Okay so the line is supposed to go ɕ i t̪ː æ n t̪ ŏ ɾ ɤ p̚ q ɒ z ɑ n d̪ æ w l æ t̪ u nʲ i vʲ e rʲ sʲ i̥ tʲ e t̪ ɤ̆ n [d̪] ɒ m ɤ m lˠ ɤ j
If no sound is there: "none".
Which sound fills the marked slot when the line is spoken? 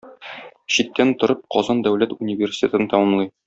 t̪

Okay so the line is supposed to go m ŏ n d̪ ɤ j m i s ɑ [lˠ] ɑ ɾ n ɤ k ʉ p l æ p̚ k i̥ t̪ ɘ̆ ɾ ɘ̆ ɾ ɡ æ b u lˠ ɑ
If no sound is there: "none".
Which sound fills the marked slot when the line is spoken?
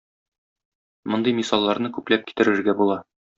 lˠː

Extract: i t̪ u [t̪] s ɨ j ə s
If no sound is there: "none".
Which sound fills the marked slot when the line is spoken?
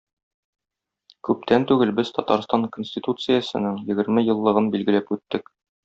t̪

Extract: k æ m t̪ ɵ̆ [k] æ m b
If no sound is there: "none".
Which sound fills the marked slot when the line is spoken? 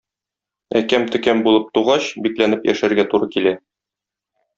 k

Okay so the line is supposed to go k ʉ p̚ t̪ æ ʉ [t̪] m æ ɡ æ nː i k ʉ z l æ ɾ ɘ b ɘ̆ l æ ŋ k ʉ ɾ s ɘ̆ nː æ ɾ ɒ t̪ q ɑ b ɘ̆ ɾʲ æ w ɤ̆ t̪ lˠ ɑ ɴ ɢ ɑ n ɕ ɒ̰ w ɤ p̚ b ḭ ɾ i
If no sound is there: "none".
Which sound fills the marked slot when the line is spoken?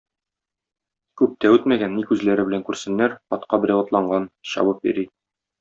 t̪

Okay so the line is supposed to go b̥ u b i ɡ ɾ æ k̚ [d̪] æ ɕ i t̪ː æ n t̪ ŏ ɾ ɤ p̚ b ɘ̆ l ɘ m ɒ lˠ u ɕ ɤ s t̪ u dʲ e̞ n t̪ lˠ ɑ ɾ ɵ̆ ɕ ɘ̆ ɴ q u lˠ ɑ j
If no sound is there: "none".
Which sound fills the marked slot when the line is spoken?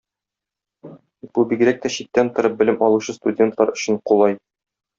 t̪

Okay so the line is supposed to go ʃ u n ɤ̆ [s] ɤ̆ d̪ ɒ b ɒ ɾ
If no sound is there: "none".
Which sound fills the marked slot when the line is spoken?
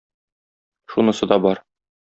s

